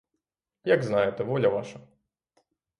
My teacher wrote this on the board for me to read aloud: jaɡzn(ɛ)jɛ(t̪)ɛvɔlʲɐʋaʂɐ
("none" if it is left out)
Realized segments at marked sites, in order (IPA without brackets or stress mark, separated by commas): a, t̪